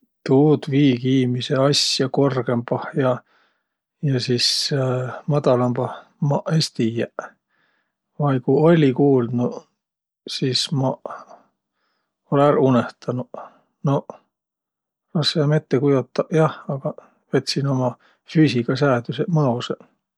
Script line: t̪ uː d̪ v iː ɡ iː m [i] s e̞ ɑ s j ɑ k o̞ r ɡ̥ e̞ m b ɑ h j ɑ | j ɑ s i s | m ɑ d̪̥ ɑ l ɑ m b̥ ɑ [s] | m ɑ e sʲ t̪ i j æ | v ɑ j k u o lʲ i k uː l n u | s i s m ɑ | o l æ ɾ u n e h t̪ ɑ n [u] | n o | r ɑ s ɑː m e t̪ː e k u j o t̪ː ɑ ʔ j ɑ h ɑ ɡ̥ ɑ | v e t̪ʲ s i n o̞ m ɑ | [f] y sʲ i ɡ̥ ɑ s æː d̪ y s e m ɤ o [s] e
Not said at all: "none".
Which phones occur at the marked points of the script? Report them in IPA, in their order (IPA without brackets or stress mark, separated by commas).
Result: i, h, u, f, s